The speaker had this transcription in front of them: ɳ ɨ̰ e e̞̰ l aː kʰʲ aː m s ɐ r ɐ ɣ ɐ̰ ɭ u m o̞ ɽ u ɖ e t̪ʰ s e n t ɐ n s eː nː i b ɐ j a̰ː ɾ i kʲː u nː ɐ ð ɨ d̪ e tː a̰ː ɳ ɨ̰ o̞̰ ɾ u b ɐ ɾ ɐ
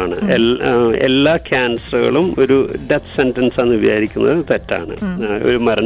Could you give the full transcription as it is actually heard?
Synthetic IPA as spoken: ɳ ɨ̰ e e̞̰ lː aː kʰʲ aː n s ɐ r ɐ ɣ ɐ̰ ɭ u m o̞ ɾ u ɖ e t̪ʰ s e n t ɐ n s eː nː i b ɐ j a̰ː ɾ i kʲː u nː ɐ ð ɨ t̪ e tː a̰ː ɳ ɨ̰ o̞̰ ɾ u m ɐ ɾ ɐ